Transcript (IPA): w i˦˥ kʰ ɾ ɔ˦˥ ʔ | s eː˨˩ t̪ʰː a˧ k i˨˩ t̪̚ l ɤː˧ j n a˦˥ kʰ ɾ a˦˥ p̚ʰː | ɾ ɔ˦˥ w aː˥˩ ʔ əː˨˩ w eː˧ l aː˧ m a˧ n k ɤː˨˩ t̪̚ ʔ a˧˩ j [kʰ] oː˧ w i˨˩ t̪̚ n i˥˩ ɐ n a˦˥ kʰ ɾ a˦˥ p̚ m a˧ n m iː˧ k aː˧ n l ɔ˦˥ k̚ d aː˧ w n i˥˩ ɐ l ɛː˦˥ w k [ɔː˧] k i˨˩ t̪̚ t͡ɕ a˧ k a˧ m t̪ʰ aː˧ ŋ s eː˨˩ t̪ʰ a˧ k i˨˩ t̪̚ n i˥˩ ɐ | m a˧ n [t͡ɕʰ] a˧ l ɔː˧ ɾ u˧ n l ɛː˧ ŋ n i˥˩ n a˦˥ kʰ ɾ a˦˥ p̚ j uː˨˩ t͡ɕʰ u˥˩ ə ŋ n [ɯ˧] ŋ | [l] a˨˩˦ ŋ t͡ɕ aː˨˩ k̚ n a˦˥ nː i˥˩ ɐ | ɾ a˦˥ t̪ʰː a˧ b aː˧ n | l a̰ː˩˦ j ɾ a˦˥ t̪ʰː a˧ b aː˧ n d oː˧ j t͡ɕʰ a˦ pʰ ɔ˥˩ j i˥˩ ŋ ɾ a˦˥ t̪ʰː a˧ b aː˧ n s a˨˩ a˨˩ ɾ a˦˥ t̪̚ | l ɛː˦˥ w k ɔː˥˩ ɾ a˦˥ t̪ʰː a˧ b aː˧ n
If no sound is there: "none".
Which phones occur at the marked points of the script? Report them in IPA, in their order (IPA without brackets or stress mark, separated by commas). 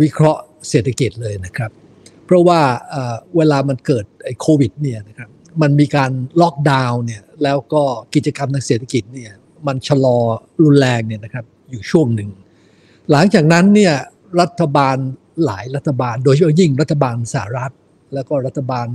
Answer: kʰ, ɔː˥˩, t͡ɕʰ, ɯ˨˩, l